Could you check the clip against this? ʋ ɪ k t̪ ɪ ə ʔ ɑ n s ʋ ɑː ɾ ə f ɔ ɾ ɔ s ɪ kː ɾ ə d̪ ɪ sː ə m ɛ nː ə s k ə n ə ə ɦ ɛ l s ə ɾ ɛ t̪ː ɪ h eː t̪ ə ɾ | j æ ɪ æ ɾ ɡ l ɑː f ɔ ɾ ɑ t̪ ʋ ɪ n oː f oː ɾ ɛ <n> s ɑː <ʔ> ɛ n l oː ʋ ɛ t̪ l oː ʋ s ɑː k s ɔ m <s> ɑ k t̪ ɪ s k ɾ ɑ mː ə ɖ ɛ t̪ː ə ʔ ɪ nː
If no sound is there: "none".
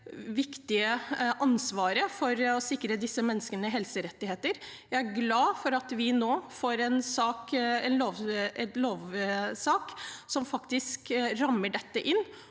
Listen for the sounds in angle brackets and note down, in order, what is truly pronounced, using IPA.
n, k, f

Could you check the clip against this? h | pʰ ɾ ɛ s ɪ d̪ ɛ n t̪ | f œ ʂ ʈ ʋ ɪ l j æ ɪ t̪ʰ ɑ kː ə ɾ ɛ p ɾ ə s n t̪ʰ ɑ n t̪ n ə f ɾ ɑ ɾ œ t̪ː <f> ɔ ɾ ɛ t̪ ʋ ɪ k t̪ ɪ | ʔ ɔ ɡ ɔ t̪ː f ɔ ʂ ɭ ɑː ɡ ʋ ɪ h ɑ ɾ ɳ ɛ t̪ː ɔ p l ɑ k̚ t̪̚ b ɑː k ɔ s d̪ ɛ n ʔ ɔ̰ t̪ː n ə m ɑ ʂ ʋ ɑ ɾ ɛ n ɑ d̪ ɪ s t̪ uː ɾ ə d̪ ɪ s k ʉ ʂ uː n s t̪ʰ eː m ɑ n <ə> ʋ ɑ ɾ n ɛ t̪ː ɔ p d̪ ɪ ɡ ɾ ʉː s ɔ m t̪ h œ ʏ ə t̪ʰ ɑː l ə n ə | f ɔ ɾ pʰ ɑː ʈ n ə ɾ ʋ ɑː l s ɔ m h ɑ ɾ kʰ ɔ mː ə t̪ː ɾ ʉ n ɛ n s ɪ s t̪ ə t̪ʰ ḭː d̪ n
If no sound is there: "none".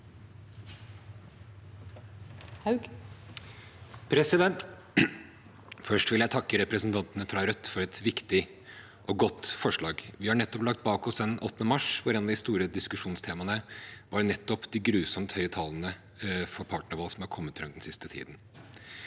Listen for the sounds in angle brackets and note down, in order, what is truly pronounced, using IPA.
f, ə

